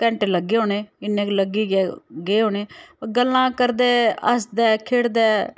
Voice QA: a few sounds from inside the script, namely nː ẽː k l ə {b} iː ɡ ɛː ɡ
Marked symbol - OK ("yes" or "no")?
no